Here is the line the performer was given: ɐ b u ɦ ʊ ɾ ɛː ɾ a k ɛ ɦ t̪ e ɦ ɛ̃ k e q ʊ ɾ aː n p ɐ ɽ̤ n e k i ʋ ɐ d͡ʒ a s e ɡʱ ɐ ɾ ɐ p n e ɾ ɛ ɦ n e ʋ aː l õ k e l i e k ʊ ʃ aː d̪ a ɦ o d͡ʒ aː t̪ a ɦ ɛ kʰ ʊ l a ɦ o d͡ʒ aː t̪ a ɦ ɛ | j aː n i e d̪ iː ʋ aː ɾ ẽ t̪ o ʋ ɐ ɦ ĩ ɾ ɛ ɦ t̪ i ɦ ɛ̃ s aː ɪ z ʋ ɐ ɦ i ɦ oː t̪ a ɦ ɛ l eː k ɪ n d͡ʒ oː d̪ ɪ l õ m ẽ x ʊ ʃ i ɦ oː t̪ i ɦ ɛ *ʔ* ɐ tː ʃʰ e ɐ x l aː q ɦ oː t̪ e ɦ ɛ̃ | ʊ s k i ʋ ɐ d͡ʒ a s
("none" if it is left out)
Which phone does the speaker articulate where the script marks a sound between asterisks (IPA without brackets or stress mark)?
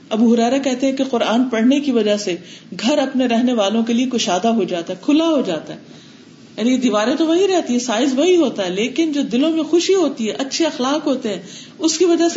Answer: ʔ